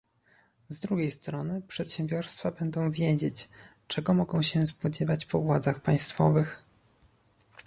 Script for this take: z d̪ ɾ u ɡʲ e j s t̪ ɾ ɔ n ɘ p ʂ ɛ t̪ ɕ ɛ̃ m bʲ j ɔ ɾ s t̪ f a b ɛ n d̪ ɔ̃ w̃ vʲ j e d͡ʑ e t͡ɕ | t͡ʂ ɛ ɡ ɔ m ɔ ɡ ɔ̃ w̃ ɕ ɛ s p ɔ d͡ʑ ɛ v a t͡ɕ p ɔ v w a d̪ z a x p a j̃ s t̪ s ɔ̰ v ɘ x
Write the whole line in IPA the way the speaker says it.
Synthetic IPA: z d̪ ɾ u ɡʲ e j s t̪ ɾ ɔ n ɘ p ʂ ɛ t̪ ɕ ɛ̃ m bʲ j ɔ ɾ s t̪ f a b ɛ n d̪ ɔ̃ w̃ vʲ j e d͡ʑ e t͡ɕ | t͡ʂ ɛ ɡ ɔ m ɔ ɡ ɔ̃ w̃ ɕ ɛ s p ɔ d͡ʑ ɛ v a t͡ɕ p ɔ v w a d̪ z a x p a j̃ s t̪ f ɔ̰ v ɘ x